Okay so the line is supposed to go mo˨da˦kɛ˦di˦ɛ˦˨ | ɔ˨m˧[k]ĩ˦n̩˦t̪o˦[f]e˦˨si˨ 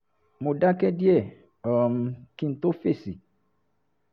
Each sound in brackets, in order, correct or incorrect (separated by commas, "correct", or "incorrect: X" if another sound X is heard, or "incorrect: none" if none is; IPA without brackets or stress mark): correct, correct